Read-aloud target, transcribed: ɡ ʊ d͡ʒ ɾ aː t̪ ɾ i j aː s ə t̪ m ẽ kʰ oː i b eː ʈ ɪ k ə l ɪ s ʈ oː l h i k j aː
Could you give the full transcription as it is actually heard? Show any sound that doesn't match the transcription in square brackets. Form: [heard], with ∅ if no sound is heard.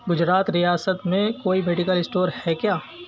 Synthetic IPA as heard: ɡ ʊ d͡ʒ ɾ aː t̪ ɾ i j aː s ə t̪ m ẽ [k] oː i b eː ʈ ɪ k ə l ɪ s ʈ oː [ɾ] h [ɛ] k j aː